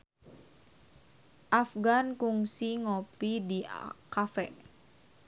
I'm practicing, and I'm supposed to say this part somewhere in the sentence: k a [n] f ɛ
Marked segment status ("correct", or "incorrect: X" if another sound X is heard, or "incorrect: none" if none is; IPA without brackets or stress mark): incorrect: none